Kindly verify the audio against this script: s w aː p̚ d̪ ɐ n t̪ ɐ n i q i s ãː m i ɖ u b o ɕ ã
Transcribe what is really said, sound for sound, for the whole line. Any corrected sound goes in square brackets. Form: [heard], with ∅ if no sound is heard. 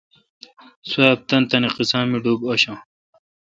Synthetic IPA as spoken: s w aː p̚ [t̪] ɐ n t̪ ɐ n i q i s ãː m i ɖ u b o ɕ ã